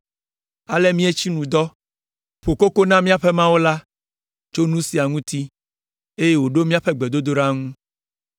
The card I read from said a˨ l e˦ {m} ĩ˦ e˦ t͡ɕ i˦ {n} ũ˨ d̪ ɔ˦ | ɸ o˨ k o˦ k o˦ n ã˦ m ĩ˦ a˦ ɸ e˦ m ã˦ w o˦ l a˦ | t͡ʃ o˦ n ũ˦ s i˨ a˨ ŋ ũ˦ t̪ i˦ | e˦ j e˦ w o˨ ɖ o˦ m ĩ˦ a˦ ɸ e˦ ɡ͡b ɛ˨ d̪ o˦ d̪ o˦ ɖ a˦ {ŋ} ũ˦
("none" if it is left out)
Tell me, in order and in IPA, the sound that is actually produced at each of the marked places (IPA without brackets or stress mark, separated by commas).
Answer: m, n, ŋ